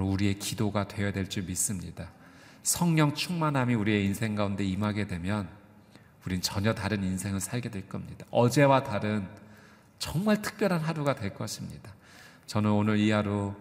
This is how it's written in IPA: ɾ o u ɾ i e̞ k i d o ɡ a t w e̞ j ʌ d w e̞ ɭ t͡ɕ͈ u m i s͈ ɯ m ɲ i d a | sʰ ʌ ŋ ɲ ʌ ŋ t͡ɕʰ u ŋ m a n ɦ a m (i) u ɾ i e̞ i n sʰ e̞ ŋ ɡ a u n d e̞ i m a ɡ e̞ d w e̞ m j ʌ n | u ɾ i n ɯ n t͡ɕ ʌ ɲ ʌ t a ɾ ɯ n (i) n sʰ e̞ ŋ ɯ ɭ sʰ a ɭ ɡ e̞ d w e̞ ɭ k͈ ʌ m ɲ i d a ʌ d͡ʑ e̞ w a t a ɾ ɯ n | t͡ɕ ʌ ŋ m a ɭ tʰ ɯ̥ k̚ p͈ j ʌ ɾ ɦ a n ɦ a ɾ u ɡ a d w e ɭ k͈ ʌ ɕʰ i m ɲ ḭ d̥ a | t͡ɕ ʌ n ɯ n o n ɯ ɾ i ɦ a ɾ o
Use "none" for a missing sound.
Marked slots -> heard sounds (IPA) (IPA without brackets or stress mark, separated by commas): i, i